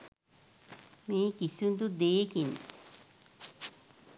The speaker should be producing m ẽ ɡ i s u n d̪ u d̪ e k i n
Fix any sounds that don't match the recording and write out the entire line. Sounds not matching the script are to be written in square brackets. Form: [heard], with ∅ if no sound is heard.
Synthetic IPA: m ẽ [k] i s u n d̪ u d̪ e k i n